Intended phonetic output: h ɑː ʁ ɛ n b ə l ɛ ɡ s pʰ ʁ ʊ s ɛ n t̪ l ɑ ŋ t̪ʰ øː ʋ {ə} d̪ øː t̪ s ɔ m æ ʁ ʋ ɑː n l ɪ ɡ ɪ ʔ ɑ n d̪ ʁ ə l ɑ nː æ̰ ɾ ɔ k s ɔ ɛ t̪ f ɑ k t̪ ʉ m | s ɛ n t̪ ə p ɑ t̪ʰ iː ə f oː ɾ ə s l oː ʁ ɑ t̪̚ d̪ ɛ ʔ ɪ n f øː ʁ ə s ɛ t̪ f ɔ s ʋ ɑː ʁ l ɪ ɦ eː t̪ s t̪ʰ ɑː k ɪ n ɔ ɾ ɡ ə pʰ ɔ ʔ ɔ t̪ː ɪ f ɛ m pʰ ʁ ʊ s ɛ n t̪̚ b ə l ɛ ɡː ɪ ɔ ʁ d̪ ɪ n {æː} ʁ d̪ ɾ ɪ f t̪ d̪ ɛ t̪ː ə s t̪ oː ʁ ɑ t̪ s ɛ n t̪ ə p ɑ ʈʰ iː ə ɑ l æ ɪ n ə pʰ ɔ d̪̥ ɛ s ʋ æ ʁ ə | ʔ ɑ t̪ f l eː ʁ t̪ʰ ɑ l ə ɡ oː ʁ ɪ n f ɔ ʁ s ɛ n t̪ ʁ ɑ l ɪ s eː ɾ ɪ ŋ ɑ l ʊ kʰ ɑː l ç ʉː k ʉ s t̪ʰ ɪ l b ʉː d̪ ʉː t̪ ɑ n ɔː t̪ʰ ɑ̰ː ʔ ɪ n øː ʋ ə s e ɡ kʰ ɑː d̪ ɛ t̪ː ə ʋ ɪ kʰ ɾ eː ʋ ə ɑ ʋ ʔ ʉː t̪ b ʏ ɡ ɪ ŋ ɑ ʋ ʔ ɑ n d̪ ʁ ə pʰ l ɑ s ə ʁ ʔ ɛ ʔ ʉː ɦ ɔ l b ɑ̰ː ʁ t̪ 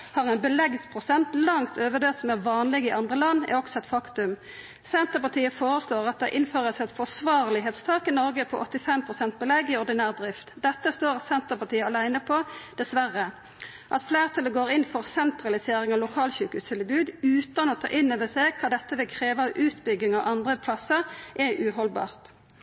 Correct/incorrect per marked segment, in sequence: correct, correct

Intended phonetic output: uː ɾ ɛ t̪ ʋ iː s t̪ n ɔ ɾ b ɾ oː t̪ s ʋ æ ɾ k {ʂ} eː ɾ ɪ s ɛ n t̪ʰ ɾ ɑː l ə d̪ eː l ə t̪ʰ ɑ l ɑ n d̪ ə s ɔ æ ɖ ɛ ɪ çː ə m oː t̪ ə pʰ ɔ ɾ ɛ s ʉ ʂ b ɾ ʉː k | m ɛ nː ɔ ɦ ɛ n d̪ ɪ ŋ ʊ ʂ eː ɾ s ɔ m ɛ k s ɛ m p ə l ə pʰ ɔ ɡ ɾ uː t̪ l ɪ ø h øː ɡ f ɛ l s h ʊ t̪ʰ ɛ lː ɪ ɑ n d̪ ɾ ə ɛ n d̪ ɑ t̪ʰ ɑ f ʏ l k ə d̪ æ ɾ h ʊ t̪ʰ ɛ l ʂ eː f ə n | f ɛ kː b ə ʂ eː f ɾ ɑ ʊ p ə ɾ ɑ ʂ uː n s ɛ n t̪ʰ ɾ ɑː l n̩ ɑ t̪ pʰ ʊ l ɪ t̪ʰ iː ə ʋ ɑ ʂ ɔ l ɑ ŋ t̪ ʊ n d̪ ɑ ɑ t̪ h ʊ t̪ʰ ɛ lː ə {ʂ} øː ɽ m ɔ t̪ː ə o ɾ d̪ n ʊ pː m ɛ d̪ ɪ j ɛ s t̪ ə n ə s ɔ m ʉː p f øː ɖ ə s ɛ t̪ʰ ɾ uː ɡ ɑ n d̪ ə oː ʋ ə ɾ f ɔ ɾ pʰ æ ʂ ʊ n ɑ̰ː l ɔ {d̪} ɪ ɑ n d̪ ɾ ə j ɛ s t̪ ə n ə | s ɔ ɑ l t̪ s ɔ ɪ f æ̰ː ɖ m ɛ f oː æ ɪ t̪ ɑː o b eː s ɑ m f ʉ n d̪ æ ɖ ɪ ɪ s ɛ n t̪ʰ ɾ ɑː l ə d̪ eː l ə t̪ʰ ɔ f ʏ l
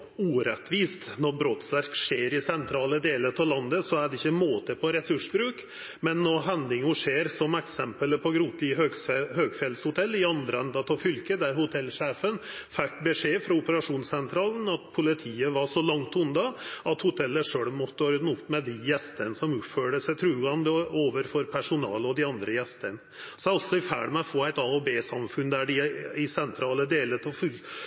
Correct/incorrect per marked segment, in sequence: correct, correct, correct

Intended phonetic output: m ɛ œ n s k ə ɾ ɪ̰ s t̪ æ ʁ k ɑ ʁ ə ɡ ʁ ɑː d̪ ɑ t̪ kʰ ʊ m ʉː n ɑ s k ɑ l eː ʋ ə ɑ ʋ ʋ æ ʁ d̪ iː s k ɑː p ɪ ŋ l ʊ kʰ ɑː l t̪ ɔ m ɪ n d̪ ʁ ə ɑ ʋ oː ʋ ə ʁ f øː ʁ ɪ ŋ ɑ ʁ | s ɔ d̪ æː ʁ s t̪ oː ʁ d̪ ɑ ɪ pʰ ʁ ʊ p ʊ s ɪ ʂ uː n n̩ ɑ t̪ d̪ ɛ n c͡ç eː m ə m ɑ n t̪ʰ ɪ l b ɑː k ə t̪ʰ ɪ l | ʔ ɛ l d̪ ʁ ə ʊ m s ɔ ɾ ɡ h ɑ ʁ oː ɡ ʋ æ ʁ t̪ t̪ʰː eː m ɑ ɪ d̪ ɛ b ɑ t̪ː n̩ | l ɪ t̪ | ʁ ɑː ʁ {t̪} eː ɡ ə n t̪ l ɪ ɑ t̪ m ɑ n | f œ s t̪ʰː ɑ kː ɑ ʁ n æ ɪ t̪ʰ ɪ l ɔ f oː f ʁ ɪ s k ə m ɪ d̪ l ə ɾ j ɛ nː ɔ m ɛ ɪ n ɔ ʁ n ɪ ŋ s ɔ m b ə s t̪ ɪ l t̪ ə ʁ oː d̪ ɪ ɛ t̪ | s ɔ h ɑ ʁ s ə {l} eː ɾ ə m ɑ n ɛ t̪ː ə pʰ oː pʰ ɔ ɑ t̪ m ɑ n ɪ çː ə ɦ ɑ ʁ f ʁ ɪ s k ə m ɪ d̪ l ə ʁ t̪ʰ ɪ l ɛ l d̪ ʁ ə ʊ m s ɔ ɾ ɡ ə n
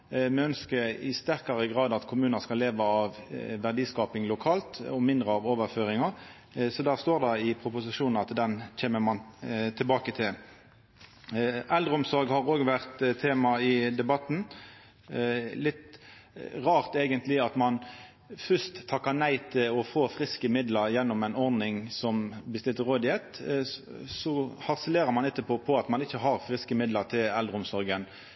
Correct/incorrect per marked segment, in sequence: correct, correct

